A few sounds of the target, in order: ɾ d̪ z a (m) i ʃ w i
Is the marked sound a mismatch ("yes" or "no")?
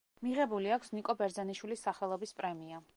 yes